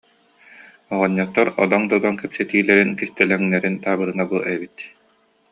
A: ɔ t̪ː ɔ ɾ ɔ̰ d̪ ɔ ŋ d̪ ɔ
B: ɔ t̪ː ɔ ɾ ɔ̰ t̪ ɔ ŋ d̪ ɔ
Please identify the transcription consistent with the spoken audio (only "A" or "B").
A